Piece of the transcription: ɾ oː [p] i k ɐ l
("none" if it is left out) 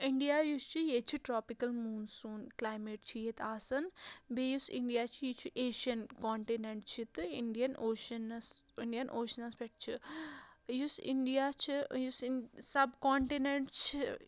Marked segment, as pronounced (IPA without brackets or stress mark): p